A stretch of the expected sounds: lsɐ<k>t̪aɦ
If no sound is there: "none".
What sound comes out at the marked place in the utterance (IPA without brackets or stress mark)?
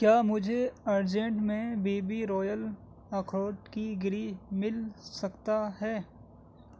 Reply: k